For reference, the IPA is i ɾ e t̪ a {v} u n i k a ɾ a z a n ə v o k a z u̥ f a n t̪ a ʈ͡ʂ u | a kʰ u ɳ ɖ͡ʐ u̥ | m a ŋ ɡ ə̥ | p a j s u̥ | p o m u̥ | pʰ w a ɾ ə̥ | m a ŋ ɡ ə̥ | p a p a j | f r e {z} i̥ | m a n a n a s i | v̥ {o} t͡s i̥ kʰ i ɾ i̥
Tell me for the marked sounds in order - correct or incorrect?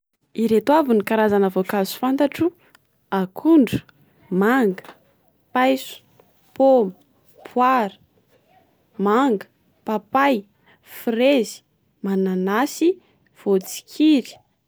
correct, correct, correct

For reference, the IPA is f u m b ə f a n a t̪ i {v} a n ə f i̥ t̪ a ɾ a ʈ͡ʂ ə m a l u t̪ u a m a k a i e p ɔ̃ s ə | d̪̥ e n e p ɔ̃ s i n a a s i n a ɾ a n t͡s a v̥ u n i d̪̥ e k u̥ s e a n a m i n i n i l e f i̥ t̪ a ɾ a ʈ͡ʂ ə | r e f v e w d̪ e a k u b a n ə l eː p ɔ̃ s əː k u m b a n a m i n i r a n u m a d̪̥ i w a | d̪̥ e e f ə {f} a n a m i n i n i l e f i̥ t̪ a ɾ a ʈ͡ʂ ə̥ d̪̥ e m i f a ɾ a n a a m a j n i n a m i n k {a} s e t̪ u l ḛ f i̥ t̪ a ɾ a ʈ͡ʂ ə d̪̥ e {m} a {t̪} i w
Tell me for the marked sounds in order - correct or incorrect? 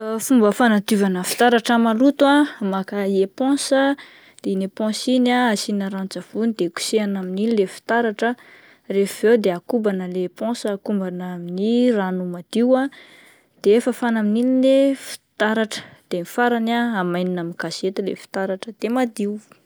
correct, correct, correct, correct, incorrect

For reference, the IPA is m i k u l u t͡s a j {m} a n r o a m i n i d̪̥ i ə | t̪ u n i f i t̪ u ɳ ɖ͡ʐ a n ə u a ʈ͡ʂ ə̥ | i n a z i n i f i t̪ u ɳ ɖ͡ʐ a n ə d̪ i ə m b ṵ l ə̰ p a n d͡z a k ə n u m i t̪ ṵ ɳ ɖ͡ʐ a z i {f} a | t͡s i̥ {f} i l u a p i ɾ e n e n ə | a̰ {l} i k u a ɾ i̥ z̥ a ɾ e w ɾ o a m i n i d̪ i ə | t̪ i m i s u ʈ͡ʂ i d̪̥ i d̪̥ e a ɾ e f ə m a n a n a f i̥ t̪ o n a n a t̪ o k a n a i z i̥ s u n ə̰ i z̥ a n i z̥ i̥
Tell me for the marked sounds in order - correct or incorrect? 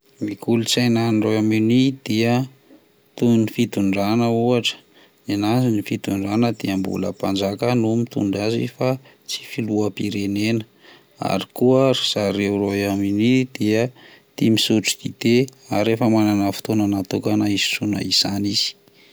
incorrect, correct, correct, incorrect

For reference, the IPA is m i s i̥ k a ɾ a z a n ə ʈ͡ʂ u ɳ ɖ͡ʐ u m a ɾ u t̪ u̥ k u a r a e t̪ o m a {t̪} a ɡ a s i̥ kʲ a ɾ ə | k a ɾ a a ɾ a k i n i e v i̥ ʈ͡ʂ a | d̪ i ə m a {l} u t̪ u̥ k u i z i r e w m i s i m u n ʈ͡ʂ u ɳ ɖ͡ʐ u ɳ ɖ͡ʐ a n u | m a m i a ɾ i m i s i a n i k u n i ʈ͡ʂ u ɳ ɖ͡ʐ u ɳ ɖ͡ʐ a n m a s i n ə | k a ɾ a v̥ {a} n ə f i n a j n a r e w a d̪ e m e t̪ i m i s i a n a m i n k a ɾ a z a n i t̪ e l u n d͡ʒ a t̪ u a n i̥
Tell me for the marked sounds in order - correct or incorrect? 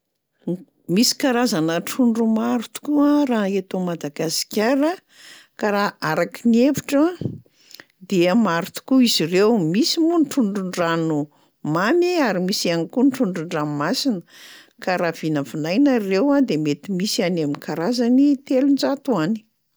incorrect, incorrect, incorrect

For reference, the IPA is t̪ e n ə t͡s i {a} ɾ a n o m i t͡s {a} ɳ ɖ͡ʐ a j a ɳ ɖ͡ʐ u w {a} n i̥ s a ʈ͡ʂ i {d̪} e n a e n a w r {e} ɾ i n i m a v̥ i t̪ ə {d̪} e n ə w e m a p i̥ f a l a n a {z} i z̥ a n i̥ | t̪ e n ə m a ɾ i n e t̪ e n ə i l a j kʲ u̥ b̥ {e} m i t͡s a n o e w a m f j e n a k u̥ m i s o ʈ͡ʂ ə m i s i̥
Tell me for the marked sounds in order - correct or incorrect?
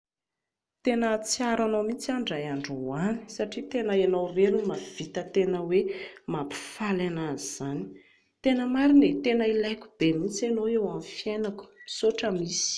correct, correct, correct, incorrect, correct, incorrect, correct, correct

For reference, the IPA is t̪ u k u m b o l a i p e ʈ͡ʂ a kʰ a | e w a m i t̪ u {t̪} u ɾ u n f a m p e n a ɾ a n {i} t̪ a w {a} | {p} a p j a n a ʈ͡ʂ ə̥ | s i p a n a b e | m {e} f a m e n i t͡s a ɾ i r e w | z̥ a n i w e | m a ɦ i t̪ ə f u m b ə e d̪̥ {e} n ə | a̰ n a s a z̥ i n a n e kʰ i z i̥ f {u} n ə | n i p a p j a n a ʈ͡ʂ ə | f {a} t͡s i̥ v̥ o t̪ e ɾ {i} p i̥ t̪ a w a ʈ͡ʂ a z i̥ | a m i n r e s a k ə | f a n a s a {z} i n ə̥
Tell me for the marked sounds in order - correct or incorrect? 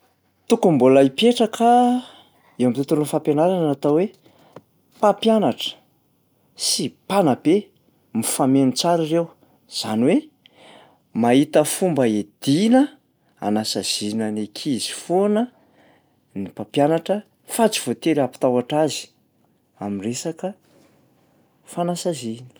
correct, incorrect, incorrect, correct, incorrect, incorrect, incorrect, correct, incorrect, correct

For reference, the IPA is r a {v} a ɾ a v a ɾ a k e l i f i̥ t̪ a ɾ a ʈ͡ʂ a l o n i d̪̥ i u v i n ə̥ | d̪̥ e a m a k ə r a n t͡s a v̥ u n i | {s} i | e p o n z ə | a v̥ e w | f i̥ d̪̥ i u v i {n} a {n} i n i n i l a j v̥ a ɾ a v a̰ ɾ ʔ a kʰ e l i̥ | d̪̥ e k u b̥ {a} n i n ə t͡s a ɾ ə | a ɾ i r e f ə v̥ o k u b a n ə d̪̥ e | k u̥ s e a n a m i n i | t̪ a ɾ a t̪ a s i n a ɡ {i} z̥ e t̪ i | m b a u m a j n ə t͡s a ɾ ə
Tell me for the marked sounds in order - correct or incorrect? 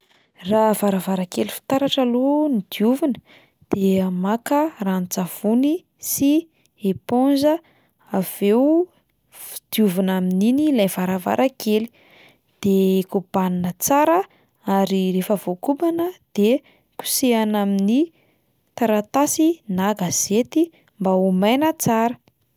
correct, correct, correct, incorrect, correct, incorrect

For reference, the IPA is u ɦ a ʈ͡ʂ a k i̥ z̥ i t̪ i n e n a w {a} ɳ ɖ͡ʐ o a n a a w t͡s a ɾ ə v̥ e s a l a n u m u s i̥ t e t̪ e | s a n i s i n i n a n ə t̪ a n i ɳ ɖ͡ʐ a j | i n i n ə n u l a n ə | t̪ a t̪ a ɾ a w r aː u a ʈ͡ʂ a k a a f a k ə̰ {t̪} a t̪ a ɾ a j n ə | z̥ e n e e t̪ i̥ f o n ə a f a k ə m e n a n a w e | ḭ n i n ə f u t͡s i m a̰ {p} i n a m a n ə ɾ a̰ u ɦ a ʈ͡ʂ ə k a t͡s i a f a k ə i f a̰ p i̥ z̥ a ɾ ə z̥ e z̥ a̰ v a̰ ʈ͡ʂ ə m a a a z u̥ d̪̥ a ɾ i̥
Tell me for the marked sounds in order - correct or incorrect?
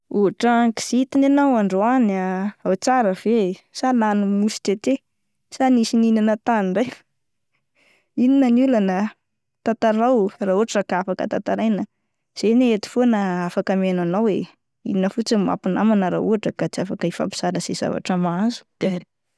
correct, correct, correct

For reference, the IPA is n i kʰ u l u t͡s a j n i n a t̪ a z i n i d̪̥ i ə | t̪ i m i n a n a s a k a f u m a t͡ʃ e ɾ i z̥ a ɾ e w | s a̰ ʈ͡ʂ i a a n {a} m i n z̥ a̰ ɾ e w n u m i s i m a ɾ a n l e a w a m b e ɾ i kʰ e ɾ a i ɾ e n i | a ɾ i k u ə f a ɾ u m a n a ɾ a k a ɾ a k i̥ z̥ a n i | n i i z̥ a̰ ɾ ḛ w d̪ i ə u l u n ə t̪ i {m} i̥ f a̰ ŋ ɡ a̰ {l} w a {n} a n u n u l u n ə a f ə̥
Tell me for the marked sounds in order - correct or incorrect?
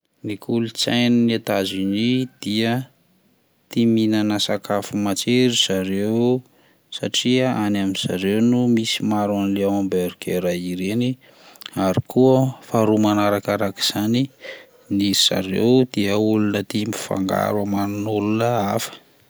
correct, correct, incorrect, incorrect

